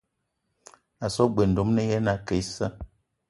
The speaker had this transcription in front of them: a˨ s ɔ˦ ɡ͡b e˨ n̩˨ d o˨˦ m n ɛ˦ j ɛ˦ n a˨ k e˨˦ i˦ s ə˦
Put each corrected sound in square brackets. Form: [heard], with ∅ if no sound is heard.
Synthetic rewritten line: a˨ s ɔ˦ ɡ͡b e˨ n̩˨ d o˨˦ m n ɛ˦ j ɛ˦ n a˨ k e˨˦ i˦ s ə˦